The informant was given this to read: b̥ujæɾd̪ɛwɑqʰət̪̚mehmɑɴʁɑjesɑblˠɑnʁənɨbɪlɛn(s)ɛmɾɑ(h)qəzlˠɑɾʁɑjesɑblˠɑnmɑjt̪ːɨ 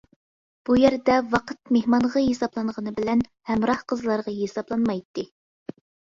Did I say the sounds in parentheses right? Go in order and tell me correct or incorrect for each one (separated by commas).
incorrect, correct